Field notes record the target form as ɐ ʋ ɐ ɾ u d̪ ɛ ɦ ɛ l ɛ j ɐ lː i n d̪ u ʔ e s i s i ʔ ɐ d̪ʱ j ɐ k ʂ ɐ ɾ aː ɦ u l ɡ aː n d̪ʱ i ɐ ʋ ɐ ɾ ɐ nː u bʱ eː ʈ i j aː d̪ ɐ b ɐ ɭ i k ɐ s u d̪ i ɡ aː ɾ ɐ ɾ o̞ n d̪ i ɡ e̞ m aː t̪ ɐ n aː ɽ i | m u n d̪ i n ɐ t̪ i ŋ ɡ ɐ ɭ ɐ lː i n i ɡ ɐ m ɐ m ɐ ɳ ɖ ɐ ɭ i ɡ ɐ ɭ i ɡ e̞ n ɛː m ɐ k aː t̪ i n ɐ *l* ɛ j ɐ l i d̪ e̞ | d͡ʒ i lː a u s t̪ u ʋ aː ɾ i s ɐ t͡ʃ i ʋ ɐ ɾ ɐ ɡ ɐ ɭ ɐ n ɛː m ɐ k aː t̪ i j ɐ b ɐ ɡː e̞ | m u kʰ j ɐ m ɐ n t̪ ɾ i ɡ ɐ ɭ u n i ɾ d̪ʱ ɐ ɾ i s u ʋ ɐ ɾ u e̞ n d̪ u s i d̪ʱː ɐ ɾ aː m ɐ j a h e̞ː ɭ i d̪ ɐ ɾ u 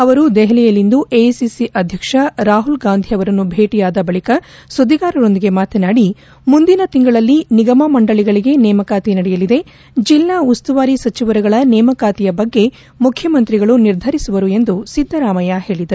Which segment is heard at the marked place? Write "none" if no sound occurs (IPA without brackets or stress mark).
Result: ɽ